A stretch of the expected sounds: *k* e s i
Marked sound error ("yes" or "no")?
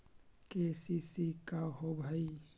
no